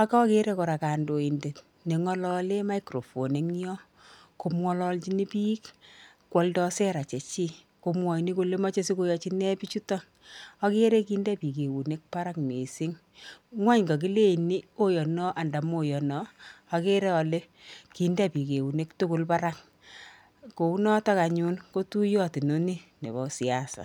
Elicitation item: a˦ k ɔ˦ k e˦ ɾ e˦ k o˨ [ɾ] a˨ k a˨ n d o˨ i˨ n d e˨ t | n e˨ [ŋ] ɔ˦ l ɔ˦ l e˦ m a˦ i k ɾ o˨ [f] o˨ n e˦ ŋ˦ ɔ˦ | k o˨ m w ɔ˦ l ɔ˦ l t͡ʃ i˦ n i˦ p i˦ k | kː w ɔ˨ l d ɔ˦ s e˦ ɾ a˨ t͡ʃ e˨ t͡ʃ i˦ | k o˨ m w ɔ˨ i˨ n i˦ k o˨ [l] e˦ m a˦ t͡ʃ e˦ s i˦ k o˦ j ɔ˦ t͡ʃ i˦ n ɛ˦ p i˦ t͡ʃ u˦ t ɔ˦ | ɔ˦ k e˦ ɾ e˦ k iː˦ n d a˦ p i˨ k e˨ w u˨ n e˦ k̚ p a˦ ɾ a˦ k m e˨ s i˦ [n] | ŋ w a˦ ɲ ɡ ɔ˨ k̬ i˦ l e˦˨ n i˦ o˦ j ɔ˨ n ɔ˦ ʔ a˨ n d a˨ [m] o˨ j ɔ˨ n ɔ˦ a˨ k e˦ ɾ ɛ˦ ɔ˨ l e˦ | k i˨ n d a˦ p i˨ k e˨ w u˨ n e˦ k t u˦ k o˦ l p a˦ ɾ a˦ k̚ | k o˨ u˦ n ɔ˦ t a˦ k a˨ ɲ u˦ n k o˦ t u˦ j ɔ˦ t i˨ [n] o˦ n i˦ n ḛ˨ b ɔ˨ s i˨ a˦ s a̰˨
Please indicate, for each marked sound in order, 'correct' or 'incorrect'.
correct, correct, correct, correct, incorrect: ŋ, correct, correct

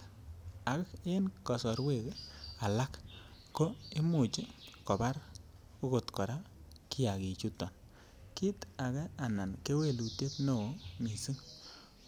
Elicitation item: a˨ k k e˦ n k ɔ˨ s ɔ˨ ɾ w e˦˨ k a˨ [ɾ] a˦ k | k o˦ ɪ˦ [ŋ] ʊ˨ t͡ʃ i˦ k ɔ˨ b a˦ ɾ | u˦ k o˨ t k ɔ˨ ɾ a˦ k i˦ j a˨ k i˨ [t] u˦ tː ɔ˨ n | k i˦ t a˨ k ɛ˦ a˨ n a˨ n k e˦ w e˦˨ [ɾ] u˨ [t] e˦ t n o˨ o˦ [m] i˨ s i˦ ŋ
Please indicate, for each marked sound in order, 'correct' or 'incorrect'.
incorrect: l, incorrect: m, incorrect: t͡ʃ, incorrect: l, correct, correct

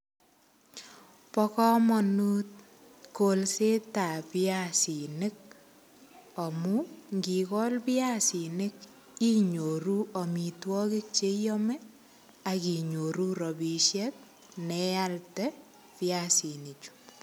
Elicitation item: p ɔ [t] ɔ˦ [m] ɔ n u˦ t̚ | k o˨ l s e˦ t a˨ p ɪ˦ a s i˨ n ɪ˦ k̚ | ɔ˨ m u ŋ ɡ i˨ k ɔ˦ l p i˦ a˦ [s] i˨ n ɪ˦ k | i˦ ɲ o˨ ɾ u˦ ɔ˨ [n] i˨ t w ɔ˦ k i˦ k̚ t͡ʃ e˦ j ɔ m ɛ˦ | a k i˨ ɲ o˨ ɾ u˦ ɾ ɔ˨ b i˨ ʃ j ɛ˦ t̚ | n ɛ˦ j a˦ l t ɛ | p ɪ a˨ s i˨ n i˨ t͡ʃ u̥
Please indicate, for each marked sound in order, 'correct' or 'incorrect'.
incorrect: k, correct, correct, incorrect: m

